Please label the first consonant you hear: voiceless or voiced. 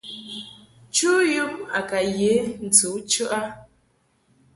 voiceless